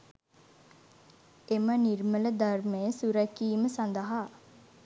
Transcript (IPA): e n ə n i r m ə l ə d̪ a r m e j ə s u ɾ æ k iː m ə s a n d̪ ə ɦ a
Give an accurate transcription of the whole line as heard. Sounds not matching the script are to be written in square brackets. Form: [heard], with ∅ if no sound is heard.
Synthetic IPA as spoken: e [m] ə n i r m ə l ə d̪ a r m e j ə s u ɾ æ k iː m ə s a n d̪ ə ɦ a